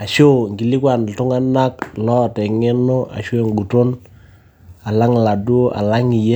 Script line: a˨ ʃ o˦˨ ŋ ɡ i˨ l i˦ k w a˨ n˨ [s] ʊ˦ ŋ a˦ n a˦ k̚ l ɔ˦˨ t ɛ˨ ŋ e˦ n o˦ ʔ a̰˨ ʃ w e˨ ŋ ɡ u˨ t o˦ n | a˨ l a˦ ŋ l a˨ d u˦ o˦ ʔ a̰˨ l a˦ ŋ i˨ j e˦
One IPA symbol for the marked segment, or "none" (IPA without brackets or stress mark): t